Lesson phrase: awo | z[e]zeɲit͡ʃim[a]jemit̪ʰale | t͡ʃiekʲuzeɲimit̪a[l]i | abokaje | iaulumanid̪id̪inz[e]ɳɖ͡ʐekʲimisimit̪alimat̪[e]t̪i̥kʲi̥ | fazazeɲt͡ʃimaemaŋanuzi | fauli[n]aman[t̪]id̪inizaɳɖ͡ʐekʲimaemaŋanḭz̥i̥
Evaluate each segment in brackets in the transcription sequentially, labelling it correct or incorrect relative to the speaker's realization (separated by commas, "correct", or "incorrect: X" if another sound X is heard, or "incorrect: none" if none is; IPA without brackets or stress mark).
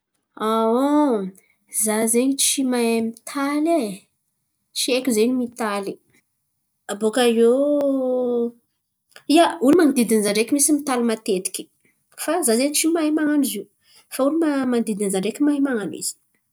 incorrect: a, correct, correct, incorrect: a, correct, incorrect: m, incorrect: d̪